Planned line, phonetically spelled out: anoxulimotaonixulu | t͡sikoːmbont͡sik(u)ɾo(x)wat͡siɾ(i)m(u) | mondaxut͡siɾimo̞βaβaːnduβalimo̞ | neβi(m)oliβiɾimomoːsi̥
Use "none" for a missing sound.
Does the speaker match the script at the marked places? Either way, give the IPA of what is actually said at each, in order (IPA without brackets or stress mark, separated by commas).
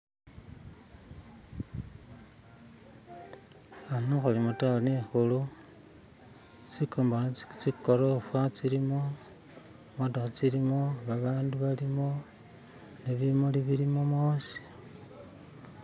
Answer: o, f, i, o, m